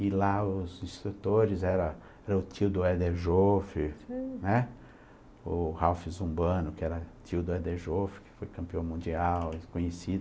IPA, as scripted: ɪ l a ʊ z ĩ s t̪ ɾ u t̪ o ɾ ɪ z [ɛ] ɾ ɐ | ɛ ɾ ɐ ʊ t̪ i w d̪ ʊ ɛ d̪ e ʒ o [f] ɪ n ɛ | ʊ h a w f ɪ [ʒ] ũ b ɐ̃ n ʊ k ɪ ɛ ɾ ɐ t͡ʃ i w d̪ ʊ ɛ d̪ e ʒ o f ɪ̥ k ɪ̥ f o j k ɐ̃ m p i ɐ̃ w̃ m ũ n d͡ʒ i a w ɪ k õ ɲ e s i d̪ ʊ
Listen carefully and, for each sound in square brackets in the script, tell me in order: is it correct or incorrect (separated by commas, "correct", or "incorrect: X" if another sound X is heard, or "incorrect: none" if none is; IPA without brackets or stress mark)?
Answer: correct, correct, incorrect: z